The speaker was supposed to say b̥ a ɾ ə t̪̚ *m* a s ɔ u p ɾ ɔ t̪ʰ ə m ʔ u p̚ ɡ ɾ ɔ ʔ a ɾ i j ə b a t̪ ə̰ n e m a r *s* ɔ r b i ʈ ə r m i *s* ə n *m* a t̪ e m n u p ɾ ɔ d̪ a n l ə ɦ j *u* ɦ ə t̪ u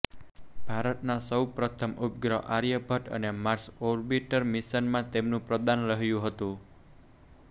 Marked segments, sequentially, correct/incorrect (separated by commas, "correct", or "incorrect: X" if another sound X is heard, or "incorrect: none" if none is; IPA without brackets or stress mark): incorrect: n, correct, correct, correct, correct